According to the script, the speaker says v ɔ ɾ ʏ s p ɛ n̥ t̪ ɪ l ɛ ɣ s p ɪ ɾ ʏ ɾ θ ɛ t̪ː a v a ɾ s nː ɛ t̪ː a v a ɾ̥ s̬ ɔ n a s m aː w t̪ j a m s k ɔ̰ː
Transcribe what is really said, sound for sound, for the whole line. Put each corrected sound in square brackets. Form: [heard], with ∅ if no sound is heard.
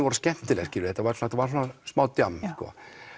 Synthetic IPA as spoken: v ɔ ɾ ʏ s [c] ɛ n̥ t̪ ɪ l ɛ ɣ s [c] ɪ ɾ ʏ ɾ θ ɛ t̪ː a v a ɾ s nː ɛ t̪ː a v a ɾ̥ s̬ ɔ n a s m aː w t̪ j a m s k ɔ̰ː